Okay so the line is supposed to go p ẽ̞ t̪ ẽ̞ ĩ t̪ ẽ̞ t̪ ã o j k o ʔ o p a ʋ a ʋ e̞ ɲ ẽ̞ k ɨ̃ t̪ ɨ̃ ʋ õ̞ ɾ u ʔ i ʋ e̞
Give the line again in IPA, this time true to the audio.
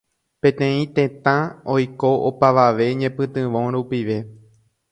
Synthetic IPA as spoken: p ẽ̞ t̪ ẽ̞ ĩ t̪ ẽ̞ t̪ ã o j k o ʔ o p a ʋ a ʋ e̞ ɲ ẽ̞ p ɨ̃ t̪ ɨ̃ ʋ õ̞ ɾ u p i ʋ e̞